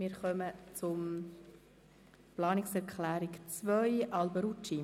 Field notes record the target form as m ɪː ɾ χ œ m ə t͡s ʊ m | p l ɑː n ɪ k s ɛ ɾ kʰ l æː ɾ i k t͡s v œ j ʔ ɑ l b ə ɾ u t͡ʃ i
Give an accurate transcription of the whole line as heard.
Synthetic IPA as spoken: m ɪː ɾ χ œ m ə t͡s ʊ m | p l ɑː n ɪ k s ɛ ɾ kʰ l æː ɾ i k t͡s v œ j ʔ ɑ l b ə ɾ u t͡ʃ i